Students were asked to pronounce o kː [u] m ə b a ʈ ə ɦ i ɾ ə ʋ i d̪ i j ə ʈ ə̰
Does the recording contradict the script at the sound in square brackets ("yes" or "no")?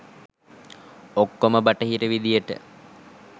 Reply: yes